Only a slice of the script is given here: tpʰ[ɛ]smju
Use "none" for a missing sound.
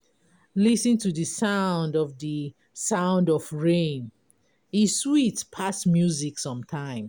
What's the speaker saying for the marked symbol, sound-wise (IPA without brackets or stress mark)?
a